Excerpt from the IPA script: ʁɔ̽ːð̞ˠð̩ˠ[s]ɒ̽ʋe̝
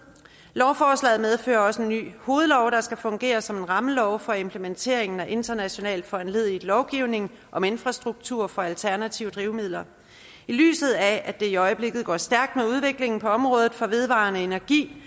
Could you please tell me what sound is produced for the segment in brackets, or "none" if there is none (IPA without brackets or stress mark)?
f